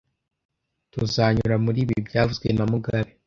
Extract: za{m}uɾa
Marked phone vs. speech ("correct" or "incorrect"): incorrect